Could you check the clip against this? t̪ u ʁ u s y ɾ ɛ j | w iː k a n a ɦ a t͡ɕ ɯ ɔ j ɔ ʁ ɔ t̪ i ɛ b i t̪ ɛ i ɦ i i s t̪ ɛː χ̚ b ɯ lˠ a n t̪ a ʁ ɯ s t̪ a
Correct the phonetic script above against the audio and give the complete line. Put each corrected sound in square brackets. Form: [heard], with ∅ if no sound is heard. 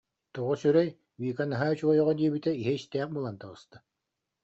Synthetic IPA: t̪ u ʁ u s y ɾ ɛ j | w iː k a n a ɦ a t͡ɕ [u] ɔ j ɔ ʁ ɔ [d̪] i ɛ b i t̪ ɛ i ɦ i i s t̪ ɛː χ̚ b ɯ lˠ a n t̪ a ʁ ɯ s t̪ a